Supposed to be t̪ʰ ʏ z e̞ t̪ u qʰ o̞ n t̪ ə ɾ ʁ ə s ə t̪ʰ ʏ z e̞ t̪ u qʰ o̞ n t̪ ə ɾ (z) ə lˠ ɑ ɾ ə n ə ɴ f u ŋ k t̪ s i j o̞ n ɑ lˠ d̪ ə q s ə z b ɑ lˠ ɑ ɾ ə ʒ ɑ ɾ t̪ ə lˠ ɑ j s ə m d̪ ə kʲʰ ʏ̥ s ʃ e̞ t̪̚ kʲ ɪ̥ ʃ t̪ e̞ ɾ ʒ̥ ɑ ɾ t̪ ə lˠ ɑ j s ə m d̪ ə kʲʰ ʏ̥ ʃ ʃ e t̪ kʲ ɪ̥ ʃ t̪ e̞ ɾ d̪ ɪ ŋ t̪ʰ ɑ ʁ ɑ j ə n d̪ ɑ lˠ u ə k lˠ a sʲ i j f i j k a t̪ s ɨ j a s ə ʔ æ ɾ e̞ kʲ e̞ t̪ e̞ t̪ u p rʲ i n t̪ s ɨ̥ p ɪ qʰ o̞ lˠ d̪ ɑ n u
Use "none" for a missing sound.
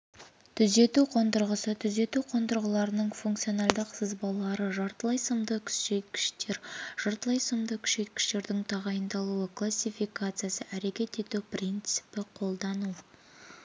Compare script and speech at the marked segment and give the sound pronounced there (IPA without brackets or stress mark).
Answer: ʁ